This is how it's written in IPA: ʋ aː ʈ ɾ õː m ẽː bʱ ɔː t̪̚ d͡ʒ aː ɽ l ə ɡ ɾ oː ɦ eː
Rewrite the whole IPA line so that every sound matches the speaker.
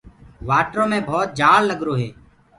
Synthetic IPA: ʋ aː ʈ ɾ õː m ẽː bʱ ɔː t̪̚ d͡ʒ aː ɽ l ə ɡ ɾ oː ɦ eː